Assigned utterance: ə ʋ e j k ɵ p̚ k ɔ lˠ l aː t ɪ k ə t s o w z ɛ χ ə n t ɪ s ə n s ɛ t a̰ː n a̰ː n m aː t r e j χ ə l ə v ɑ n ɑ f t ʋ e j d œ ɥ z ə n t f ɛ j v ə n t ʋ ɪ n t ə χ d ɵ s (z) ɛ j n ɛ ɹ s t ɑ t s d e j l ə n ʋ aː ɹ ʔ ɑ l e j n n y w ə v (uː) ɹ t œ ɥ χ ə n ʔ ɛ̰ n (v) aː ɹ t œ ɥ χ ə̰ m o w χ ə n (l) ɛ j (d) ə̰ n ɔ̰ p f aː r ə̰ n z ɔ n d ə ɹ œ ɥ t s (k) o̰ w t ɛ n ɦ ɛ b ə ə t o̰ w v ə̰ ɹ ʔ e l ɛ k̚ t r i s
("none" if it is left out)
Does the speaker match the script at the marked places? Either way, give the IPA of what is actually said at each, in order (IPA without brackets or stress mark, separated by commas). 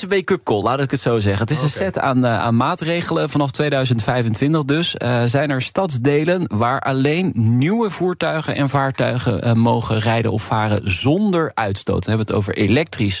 z, uː, v, r, d, t